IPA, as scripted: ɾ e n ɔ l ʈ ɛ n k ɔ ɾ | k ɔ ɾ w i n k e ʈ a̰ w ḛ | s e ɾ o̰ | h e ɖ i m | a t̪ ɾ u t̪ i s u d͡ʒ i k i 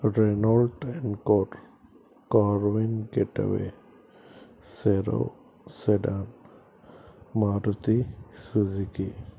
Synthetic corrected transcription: ɾ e n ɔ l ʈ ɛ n k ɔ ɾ | k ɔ ɾ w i n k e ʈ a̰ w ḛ | s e ɾ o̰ | s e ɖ a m | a ɾ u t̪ i s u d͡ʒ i k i